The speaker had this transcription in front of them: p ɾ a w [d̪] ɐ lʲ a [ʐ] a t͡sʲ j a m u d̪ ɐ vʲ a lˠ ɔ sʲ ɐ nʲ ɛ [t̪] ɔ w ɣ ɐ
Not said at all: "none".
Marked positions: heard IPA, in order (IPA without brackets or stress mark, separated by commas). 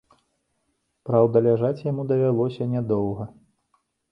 d̪, ʐ, d̪